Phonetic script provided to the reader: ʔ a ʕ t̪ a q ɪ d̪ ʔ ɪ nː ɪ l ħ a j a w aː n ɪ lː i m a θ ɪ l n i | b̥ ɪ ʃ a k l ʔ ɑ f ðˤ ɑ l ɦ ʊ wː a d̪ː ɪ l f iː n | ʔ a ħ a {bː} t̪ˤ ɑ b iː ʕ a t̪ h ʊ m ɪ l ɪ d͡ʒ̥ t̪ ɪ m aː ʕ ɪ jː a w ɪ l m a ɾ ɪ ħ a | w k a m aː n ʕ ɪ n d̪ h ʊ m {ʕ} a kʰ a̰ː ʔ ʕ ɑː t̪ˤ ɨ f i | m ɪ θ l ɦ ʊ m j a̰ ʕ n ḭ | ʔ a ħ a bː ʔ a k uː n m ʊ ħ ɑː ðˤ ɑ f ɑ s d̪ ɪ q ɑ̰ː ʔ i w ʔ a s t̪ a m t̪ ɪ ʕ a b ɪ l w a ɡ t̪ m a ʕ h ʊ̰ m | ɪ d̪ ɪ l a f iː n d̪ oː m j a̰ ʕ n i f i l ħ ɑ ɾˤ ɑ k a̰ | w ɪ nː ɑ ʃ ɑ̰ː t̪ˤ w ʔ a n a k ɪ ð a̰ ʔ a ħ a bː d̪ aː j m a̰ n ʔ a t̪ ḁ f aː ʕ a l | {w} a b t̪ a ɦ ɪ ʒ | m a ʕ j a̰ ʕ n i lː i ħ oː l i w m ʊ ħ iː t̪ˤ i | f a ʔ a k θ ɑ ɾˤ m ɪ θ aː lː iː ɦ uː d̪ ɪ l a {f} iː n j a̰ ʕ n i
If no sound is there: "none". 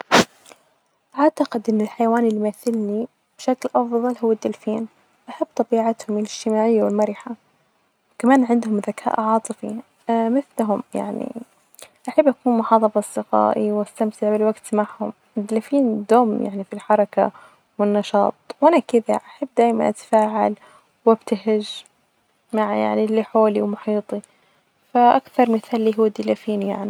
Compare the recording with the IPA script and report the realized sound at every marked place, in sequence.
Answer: bː, ð, w, f

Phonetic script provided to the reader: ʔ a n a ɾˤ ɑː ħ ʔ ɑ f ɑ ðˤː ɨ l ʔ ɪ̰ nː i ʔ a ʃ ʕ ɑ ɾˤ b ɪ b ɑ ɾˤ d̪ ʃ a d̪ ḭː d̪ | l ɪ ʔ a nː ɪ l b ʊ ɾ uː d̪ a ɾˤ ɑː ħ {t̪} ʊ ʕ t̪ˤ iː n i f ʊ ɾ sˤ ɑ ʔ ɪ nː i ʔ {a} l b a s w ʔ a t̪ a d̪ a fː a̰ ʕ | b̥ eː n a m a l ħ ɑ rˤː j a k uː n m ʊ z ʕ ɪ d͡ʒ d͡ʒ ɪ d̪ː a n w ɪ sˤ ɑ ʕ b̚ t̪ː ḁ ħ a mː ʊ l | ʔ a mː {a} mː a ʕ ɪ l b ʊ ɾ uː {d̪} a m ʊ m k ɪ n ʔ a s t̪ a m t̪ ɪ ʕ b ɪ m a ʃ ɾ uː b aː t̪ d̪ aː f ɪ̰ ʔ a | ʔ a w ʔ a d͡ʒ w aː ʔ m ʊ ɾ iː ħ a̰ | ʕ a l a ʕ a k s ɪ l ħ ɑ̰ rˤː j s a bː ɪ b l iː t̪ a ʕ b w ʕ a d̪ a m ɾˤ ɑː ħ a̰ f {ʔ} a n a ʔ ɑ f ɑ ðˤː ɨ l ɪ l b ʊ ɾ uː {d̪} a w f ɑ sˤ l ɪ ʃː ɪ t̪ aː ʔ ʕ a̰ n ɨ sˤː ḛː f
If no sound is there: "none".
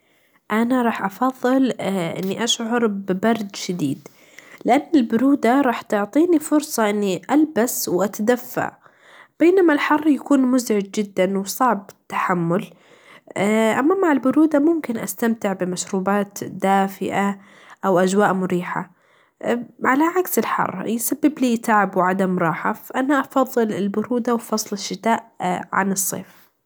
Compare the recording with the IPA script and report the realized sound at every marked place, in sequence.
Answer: t̪, a, a, d̪, ʔ, d̪

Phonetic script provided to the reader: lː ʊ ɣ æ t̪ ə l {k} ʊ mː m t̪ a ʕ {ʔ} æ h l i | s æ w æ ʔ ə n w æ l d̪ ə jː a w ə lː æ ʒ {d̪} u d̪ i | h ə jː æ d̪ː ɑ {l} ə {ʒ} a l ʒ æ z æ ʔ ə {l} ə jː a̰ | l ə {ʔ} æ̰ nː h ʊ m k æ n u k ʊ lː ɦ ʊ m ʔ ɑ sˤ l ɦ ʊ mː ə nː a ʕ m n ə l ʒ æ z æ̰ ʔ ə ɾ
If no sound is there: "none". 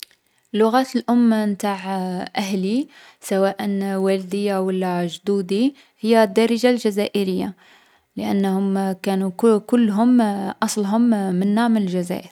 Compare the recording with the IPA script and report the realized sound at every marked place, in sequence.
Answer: ʔ, ʔ, d̪, ɾ, ʒ, ɾ, ʔ

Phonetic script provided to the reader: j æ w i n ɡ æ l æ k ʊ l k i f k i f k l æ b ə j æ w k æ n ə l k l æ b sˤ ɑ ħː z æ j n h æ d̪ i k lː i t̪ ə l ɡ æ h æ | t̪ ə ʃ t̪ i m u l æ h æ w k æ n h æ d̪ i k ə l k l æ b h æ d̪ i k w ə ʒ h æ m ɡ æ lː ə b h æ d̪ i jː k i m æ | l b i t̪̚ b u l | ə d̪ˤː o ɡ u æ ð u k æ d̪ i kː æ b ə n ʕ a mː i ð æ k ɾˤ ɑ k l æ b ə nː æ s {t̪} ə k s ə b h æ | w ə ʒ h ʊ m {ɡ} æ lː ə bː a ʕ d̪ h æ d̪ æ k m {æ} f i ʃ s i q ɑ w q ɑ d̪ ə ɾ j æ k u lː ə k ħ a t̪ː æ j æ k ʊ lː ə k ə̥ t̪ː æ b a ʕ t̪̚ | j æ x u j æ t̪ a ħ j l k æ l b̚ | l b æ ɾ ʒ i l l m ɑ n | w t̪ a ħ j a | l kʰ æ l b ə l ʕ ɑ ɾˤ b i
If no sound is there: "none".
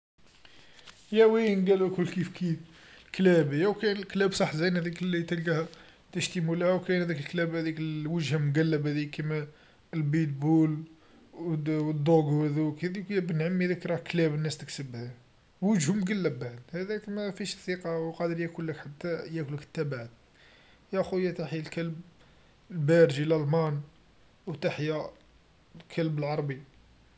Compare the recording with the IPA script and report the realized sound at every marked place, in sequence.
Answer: t̪, ɡ, æ

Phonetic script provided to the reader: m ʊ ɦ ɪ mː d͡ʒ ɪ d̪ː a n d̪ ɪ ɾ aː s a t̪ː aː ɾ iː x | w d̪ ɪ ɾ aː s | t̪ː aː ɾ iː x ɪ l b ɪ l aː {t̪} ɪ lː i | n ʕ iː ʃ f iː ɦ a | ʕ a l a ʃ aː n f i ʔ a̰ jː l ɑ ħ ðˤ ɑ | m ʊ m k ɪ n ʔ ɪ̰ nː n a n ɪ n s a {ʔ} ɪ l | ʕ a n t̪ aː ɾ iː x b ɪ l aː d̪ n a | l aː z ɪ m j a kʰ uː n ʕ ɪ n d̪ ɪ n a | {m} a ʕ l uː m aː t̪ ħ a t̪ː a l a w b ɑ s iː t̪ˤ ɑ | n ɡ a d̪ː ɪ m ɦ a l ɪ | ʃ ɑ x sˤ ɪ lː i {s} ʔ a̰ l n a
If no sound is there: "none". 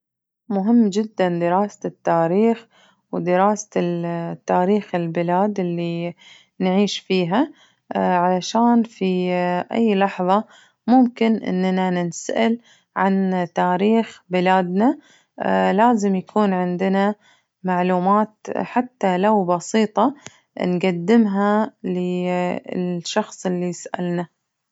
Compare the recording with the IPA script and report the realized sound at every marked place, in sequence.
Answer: d̪, ʔ, m, s

